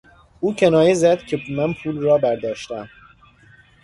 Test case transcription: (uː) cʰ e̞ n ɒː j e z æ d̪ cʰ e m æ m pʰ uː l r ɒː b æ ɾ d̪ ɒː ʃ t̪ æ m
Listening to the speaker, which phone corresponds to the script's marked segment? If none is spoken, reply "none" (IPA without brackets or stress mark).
uː